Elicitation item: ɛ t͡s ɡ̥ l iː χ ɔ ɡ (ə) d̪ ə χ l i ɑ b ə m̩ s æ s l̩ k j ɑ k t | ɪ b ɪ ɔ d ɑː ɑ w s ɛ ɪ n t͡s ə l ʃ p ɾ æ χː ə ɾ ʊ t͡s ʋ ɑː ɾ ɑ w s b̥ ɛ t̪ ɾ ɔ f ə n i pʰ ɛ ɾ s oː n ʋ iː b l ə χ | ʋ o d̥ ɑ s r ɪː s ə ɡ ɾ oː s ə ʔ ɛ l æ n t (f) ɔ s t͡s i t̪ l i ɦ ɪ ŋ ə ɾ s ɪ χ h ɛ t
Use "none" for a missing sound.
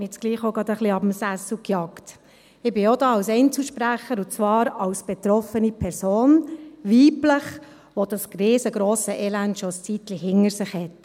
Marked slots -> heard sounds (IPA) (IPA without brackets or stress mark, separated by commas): ɑ, ʃ